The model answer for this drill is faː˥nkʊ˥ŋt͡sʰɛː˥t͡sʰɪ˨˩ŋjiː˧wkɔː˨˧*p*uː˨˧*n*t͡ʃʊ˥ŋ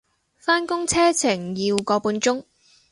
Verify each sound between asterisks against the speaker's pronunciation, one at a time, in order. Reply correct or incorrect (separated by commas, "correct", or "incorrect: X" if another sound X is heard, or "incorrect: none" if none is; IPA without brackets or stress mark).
correct, correct